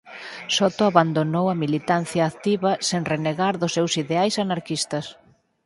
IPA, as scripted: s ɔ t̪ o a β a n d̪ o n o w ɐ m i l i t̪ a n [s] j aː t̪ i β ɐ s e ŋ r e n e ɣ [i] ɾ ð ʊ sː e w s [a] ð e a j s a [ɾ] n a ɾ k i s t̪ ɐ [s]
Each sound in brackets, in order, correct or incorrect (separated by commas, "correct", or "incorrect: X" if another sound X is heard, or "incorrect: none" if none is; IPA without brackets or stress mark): incorrect: θ, incorrect: a, incorrect: i, incorrect: none, correct